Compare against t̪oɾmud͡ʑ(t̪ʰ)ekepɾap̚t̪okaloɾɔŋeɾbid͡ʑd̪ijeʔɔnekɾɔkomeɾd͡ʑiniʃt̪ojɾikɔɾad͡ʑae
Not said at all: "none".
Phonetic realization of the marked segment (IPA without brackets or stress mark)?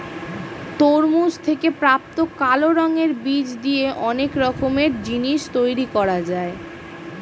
t̪ʰ